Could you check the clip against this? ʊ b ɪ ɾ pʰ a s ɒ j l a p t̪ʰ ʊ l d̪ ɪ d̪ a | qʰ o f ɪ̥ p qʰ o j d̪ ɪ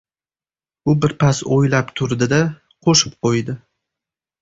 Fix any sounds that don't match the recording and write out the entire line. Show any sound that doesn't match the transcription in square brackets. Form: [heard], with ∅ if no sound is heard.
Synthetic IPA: ʊ b ɪ ɾ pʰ a s [o] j l a p t̪ʰ ʊ [ɾ] d̪ ɪ d̪ a | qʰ o [ʃ] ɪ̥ p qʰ o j d̪ ɪ